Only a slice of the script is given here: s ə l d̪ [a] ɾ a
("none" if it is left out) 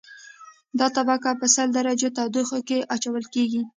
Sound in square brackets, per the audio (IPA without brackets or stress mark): a